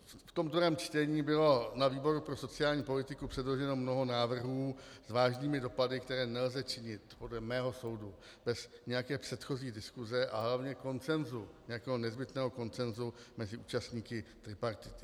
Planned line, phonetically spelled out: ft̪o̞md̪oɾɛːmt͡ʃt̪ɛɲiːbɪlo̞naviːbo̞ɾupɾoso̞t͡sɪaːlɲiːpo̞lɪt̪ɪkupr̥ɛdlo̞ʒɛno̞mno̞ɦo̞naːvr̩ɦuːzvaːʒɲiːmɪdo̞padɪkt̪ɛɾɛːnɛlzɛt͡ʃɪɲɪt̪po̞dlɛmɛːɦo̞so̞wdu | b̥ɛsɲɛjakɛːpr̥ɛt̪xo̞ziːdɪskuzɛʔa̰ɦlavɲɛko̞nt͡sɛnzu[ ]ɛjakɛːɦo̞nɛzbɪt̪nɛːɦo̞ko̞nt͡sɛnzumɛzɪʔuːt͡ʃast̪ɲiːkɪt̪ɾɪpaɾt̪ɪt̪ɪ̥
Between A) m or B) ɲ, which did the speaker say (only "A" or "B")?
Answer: B